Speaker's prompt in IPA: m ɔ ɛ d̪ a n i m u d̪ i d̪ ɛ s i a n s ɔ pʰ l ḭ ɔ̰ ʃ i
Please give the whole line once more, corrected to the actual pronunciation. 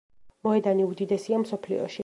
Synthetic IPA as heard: m ɔ ɛ d̪ a n i u d̪ i d̪ ɛ s i a m s ɔ pʰ l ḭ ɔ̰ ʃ i